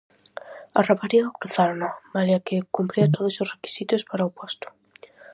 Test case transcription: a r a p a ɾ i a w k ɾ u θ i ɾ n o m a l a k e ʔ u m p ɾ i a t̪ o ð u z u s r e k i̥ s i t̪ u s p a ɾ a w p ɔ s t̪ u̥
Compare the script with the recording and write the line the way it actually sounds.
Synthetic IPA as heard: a r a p a ɾ i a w k ɾ u θ a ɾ n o m a l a k e k u m p ɾ i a t̪ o ð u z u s r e k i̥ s i t̪ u s p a ɾ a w p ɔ s t̪ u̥